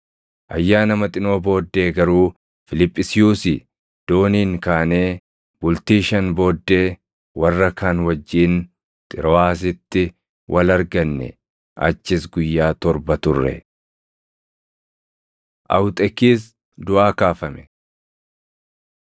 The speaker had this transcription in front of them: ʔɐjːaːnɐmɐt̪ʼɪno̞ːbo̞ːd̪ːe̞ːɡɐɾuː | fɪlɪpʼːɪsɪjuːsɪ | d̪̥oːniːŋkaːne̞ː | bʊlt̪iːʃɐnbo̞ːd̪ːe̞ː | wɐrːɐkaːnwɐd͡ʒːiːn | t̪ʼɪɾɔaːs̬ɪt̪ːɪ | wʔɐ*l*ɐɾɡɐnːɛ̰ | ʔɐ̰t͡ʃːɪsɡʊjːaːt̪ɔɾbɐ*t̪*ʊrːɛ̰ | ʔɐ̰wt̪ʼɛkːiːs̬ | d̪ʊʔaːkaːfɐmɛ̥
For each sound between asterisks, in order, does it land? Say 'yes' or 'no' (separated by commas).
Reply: yes, yes